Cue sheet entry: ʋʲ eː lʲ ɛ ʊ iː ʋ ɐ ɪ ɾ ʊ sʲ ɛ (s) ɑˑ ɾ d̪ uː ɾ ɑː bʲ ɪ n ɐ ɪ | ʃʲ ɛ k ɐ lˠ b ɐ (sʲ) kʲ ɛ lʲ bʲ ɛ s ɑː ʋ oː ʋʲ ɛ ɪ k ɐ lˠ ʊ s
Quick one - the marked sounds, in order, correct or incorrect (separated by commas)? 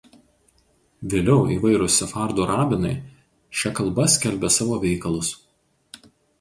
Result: incorrect, correct